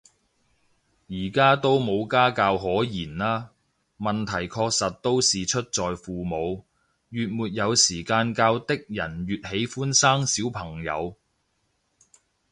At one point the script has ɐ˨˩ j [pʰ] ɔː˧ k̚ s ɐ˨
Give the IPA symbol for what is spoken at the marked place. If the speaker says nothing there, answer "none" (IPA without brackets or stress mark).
kʰ